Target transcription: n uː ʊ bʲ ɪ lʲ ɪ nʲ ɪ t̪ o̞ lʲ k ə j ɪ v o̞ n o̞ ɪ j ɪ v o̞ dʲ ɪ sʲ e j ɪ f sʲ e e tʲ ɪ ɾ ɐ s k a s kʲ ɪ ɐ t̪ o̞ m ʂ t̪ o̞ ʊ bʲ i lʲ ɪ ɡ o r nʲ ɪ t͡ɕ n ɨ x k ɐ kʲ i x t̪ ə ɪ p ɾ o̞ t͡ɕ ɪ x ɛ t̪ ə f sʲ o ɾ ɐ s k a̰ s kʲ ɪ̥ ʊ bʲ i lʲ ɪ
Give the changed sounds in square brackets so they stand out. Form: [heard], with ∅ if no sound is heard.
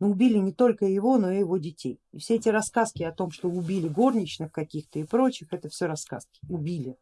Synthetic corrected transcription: n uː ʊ bʲ [i] lʲ ɪ nʲ ɪ t̪ o̞ lʲ k ə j ɪ v o̞ n o̞ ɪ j ɪ v o̞ dʲ ɪ [tʲ] e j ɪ f sʲ e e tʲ ɪ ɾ ɐ s k a s kʲ ɪ ɐ t̪ o̞ m ʂ t̪ o̞ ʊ bʲ i lʲ ɪ ɡ o r nʲ ɪ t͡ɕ n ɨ x k ɐ kʲ i x t̪ ə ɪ p ɾ o̞ t͡ɕ ɪ x ɛ t̪ ə f sʲ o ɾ ɐ s k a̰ s kʲ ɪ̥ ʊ bʲ i lʲ ɪ